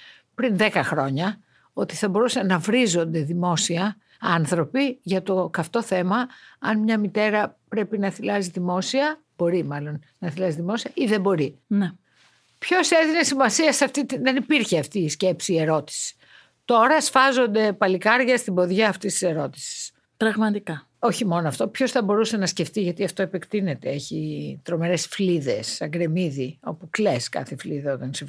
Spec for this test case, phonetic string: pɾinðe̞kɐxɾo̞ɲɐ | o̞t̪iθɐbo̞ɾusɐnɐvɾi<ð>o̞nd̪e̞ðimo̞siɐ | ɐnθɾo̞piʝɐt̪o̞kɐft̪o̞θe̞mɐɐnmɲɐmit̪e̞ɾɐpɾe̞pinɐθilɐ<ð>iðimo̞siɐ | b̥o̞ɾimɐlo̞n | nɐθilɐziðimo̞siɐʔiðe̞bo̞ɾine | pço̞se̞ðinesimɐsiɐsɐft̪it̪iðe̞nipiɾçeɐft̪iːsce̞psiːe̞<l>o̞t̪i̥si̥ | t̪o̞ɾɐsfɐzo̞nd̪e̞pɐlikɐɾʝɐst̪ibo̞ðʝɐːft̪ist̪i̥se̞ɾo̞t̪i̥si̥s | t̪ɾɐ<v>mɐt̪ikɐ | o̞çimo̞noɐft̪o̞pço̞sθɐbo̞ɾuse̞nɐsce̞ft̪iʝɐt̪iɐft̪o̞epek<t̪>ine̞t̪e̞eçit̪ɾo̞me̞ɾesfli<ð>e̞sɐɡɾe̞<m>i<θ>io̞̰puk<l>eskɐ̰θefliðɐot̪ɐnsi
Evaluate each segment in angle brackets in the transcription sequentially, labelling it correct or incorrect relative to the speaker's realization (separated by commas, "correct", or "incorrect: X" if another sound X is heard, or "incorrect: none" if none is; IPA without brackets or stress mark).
incorrect: z, incorrect: z, incorrect: ɾ, incorrect: ɣ, correct, correct, correct, incorrect: ð, correct